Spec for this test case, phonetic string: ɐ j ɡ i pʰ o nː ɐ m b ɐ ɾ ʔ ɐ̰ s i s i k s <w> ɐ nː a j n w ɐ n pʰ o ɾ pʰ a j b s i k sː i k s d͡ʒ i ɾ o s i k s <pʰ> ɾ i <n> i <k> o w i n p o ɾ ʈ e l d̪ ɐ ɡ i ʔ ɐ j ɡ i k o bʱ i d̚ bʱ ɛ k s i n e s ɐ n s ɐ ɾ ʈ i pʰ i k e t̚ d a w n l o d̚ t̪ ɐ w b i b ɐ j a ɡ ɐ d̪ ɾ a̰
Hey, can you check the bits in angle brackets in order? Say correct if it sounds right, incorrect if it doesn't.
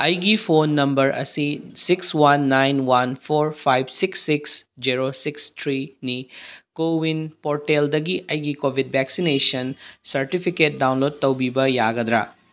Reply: correct, incorrect: tʰ, correct, correct

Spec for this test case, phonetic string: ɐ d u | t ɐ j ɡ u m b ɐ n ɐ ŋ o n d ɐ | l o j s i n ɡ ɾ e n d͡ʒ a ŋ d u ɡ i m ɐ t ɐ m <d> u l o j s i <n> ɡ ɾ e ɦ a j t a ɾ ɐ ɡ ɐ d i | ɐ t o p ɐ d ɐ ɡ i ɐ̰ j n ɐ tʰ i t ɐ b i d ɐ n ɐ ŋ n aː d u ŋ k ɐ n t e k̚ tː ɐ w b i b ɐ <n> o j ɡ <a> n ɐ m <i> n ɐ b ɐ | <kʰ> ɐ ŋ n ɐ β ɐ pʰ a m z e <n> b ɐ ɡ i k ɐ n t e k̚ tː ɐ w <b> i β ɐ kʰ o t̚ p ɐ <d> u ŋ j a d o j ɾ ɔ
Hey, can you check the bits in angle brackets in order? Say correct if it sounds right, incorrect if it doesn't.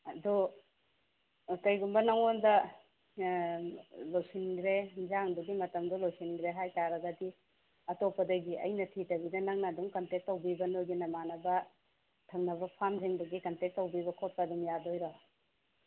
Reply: correct, correct, correct, incorrect: i, incorrect: a, incorrect: tʰ, incorrect: ŋ, correct, correct

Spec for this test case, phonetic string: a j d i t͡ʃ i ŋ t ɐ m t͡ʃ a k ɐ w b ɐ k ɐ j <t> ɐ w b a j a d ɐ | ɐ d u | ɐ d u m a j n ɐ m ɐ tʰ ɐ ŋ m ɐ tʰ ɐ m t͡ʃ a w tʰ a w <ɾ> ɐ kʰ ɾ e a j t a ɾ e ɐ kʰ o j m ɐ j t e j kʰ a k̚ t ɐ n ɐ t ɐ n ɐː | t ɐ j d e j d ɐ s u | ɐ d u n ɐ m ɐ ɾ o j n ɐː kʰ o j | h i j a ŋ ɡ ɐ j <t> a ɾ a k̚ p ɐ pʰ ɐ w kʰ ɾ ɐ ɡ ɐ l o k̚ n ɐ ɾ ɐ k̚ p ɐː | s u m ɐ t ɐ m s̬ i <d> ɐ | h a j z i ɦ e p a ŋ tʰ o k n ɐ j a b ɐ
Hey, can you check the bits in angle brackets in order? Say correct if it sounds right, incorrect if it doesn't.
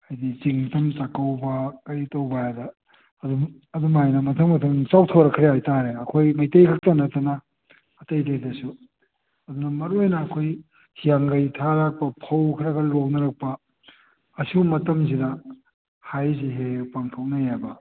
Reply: correct, correct, incorrect: tʰ, correct

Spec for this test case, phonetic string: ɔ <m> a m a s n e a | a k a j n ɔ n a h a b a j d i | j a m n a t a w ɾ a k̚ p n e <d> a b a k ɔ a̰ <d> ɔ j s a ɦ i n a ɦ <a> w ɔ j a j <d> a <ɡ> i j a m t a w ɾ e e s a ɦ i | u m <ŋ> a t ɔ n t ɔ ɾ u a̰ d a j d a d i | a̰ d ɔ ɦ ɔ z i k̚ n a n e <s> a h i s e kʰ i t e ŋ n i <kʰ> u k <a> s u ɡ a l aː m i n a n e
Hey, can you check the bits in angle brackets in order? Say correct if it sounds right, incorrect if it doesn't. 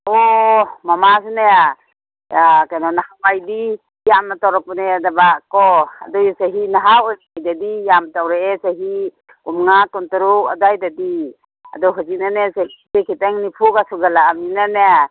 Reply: correct, correct, correct, correct, correct, incorrect: d, correct, correct, incorrect: pʰ, correct

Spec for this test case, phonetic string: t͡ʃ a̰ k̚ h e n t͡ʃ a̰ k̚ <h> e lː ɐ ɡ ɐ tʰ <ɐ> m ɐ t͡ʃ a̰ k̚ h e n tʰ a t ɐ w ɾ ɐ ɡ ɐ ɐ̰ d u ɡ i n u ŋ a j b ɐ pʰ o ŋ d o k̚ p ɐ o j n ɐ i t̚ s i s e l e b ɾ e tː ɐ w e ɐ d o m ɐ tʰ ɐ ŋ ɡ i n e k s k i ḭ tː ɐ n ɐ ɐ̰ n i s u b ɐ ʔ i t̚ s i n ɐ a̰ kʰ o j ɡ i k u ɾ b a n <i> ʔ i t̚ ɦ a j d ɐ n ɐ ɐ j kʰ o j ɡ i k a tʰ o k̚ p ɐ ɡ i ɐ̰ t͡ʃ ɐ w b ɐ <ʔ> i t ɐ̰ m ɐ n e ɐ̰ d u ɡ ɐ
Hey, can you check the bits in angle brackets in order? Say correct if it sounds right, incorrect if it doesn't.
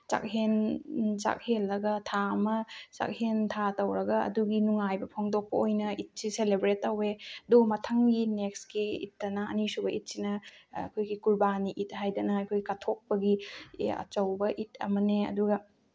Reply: correct, incorrect: a, correct, correct

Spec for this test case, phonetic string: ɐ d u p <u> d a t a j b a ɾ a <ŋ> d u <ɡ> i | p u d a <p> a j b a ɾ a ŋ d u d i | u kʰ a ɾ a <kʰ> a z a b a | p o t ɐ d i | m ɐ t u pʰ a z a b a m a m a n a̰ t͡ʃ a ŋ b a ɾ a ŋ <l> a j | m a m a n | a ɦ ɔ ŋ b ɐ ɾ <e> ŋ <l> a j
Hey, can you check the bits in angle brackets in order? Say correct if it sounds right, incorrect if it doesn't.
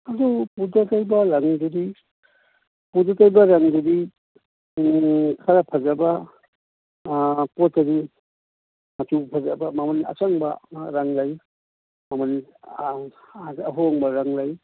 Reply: correct, correct, incorrect: d, incorrect: t, incorrect: pʰ, correct, incorrect: a, correct

